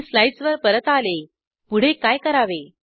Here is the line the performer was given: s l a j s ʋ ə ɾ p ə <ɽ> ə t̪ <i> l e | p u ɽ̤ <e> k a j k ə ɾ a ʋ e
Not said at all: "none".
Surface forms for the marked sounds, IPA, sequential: ɾ, a, e

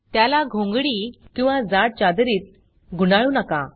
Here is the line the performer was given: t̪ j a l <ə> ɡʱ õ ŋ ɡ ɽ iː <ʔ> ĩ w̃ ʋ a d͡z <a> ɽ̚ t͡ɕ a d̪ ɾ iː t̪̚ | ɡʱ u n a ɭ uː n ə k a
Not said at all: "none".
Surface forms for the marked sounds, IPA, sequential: a, k, a

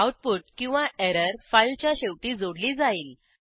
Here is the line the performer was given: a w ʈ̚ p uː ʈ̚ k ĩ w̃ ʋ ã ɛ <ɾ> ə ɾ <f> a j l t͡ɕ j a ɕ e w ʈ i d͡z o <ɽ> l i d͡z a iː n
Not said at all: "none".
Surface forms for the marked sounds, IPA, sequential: ɾ, f, ɽ

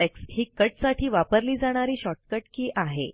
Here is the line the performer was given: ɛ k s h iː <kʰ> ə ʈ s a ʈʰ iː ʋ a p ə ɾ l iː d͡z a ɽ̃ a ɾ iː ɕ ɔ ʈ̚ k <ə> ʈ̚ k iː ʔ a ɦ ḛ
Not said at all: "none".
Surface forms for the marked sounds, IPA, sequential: k, ə

